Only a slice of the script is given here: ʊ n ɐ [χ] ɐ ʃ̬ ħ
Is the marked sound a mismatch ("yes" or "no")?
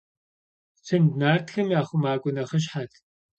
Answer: no